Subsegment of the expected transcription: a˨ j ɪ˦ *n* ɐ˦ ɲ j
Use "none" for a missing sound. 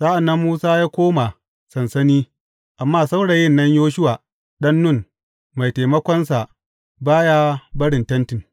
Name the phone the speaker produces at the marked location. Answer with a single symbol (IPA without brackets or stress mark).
nː